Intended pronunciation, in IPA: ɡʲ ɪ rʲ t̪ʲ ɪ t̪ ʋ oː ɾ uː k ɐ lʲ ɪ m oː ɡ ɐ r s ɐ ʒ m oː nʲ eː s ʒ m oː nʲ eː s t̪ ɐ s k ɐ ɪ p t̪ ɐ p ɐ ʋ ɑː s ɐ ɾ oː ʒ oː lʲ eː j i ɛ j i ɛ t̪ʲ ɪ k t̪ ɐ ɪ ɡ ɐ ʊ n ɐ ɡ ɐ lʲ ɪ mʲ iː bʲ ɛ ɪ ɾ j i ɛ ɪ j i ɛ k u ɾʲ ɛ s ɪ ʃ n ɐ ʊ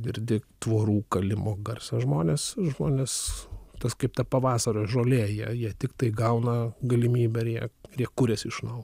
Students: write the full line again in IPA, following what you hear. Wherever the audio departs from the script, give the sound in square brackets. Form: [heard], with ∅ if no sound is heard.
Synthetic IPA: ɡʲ ɪ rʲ [d̪ʲ] ɪ t̪ ʋ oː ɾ uː k ɐ lʲ ɪ m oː ɡ ɐ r s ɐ ʒ m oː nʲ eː s ʒ m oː nʲ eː s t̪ ɐ s k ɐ ɪ p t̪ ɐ p ɐ ʋ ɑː s ɐ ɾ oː ʒ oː lʲ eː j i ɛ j i ɛ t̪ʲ ɪ k t̪ ɐ ɪ ɡ ɐ ʊ n ɐ ɡ ɐ lʲ ɪ mʲ iː bʲ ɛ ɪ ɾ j i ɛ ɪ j i ɛ k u ɾʲ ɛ s ɪ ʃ n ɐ ʊ

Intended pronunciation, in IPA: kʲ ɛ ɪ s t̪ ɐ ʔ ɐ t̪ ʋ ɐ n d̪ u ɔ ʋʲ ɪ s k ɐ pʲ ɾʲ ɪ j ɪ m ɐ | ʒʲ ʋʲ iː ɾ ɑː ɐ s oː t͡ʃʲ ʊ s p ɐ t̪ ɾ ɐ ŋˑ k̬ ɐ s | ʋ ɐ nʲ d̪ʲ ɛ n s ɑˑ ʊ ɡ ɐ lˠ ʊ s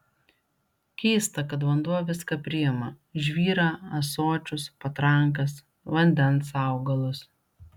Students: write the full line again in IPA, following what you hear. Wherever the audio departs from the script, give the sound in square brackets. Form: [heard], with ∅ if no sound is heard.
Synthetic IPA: kʲ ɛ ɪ s t̪ ɐ [k] ɐ t̪ ʋ ɐ n d̪ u ɔ ʋʲ ɪ s k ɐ pʲ ɾʲ ɪ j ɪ m ɐ | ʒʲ ʋʲ iː ɾ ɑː ɐ s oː t͡ʃʲ ʊ s p ɐ t̪ ɾ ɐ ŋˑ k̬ ɐ s | ʋ ɐ nʲ d̪ʲ ɛ n s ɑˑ ʊ ɡ ɐ lˠ ʊ s

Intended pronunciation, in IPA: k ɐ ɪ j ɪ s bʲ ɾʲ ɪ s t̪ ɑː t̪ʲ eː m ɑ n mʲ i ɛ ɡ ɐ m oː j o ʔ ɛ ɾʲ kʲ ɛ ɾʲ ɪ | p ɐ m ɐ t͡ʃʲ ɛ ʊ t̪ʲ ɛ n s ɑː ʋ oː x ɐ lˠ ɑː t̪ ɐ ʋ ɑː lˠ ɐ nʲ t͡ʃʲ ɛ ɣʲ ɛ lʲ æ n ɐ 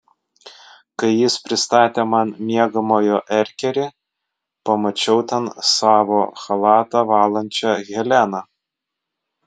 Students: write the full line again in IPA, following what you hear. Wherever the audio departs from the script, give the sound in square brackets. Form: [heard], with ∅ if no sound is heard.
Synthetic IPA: k ɐ ɪ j ɪ s [pʲ] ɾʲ ɪ s t̪ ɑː t̪ʲ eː m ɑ n mʲ i ɛ ɡ ɐ m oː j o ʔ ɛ ɾʲ kʲ ɛ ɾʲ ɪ | p ɐ m ɐ t͡ʃʲ ɛ ʊ t̪ʲ ɛ n s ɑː ʋ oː x ɐ lˠ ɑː t̪ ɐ ʋ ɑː lˠ ɐ nʲ t͡ʃʲ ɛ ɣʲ ɛ lʲ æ n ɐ

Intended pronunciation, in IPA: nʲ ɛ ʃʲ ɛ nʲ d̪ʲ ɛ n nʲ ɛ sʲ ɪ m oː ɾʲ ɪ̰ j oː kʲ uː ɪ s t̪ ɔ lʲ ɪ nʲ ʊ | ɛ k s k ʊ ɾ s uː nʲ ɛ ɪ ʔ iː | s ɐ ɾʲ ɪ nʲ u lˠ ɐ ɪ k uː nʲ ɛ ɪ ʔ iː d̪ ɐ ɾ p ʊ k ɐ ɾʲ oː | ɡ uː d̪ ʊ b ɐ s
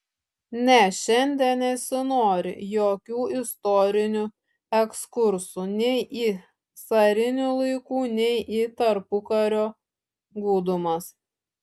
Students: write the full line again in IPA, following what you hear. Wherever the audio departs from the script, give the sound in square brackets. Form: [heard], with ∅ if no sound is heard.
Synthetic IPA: nʲ ɛ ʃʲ ɛ nʲ d̪ʲ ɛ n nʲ ɛ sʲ ɪ [n] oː ɾʲ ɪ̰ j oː kʲ uː ɪ s t̪ ɔ [ɾʲ] ɪ nʲ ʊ | ɛ k s k ʊ ɾ s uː nʲ ɛ ɪ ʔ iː | s ɐ ɾʲ ɪ nʲ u lˠ ɐ ɪ k uː nʲ ɛ ɪ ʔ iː [t̪] ɐ ɾ p ʊ k ɐ ɾʲ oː | ɡ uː d̪ ʊ [m] ɐ s

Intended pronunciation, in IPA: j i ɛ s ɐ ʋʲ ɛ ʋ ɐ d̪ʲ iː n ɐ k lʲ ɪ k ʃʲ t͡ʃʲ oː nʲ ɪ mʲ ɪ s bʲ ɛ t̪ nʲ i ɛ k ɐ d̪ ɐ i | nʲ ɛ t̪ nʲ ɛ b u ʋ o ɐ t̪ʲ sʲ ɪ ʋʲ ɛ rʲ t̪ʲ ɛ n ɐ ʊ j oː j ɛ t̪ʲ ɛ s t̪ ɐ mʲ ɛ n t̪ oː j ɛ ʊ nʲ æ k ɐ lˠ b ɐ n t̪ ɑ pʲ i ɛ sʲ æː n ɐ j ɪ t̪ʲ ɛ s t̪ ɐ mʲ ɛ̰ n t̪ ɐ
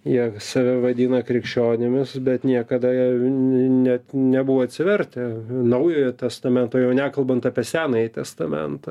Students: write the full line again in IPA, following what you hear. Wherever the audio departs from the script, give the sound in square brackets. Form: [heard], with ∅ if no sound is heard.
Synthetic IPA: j i ɛ s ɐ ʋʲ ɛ ʋ ɐ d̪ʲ iː n ɐ k [ɾʲ] ɪ k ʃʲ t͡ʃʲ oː nʲ ɪ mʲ ɪ s bʲ ɛ t̪ nʲ i ɛ k ɐ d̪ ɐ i | nʲ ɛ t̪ nʲ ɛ b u ʋ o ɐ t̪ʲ sʲ ɪ ʋʲ ɛ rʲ t̪ʲ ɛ n ɐ ʊ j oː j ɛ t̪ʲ ɛ s t̪ ɐ mʲ ɛ n t̪ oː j ɛ ʊ nʲ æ k ɐ lˠ b ɐ n t̪ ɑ pʲ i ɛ sʲ æː n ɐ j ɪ t̪ʲ ɛ s t̪ ɐ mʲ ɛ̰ n t̪ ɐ

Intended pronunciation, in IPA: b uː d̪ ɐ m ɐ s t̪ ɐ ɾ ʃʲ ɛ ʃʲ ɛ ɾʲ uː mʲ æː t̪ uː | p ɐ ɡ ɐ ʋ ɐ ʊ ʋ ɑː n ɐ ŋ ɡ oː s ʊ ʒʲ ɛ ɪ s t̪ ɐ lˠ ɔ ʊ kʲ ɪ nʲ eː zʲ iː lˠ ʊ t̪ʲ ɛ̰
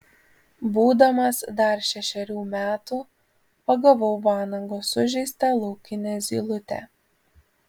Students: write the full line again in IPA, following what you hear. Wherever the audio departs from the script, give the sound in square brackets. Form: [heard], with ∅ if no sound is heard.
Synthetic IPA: b uː d̪ ɐ m ɐ s [d̪] ɐ ɾ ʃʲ ɛ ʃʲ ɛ ɾʲ uː mʲ æː t̪ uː | p ɐ ɡ ɐ ʋ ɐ ʊ ʋ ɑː n ɐ ŋ ɡ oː s ʊ ʒʲ ɛ ɪ s t̪ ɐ lˠ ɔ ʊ kʲ ɪ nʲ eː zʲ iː lˠ ʊ t̪ʲ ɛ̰

